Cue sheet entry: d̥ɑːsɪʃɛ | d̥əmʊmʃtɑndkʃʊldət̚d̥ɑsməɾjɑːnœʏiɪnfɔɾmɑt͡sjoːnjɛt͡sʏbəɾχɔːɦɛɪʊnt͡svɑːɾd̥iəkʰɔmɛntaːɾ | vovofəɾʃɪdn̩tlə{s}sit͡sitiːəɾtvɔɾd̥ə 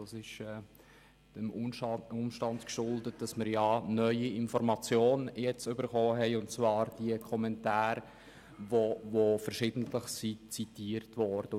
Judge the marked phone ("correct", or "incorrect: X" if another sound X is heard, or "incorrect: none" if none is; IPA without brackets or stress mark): incorrect: χ